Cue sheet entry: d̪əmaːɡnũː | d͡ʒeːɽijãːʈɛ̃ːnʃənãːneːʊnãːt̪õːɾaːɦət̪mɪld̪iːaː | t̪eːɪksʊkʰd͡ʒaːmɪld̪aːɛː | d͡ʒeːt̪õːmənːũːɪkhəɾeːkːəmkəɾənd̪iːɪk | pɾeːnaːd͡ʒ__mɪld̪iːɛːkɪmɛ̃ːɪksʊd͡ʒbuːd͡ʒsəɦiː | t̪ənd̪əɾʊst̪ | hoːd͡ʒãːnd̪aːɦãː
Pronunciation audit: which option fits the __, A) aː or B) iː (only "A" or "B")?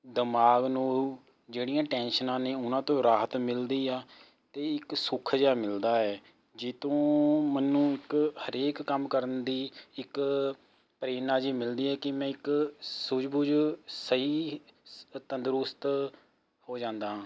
B